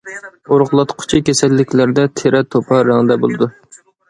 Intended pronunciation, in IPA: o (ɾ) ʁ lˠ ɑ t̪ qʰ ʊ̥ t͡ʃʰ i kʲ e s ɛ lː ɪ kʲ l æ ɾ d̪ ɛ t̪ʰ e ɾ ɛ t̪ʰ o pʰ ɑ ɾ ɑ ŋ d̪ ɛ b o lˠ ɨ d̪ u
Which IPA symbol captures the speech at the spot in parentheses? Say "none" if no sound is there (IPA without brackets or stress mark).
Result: ɾ